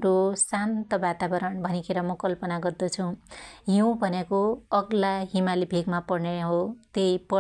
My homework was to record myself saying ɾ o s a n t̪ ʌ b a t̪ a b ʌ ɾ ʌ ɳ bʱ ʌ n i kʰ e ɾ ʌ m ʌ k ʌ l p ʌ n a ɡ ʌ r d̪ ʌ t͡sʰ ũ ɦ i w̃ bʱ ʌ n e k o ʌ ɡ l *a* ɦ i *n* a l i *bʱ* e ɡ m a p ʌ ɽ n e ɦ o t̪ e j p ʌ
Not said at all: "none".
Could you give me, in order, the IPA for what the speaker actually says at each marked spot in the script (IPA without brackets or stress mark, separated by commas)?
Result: a, m, bʱ